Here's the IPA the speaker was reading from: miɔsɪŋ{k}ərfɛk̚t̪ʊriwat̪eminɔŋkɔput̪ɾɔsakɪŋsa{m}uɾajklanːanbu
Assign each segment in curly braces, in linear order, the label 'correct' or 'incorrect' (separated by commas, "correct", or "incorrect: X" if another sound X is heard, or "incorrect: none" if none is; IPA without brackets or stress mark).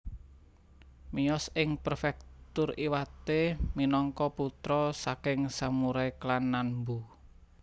incorrect: p, correct